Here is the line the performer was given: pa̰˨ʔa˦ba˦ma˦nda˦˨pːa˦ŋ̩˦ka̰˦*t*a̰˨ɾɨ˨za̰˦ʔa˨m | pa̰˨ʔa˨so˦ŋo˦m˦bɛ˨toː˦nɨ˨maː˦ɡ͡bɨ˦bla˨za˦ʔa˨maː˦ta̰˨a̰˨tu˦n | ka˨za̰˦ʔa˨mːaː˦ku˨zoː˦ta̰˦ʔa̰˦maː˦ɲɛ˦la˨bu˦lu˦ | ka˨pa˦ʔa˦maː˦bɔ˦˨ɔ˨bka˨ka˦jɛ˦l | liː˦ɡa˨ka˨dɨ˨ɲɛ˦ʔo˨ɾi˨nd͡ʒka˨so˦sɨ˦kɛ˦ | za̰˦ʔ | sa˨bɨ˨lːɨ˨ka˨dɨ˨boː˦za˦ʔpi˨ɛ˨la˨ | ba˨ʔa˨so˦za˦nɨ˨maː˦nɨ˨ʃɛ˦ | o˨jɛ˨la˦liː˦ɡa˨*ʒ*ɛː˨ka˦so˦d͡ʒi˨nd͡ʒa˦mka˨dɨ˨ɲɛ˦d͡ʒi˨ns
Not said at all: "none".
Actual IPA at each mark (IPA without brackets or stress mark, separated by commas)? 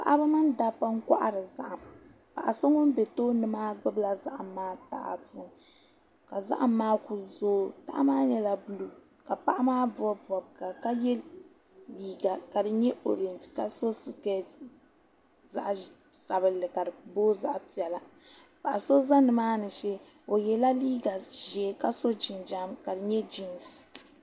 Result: ʔ, ʒ